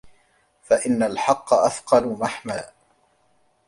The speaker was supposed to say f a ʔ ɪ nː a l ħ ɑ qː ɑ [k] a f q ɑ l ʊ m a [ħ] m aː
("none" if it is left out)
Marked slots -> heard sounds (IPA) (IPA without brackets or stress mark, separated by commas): ʔ, ħ